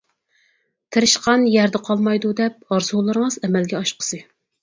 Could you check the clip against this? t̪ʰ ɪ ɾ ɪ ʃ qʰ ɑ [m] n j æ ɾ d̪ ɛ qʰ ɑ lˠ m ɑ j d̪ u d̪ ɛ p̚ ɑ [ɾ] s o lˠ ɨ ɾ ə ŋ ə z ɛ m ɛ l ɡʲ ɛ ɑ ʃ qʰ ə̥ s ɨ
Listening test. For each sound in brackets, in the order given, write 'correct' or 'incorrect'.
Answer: incorrect: none, correct

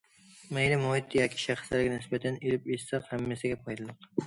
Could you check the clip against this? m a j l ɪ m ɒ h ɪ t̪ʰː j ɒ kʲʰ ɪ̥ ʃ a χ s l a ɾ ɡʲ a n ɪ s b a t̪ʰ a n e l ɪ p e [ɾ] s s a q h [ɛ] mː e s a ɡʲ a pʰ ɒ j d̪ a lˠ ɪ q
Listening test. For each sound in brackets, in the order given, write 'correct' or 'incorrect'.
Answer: incorrect: none, incorrect: a

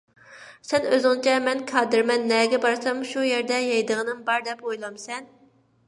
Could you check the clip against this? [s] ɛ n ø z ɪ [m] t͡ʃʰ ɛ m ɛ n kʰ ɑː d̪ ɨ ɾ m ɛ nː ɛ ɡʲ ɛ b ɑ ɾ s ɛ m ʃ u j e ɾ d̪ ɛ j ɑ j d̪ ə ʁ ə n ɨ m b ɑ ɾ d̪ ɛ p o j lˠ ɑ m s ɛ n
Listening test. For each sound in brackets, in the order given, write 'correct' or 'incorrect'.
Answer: correct, incorrect: ŋ

